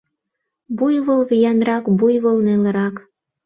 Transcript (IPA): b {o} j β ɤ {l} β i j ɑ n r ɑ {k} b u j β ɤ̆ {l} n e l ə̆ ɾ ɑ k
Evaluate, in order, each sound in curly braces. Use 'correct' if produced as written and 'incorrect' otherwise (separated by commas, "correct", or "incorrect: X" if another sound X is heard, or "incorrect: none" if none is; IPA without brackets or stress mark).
incorrect: u, correct, correct, correct